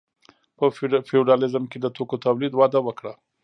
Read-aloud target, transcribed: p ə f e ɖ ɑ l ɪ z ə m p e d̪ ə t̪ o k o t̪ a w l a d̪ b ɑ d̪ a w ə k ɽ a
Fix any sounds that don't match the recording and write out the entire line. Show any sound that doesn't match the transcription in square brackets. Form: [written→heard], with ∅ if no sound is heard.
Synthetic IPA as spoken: p ə f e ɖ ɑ l ɪ z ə m [p→k] e d̪ ə t̪ o k o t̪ a w l [a→i] d̪ [b→w] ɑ d̪ a w ə k ɽ a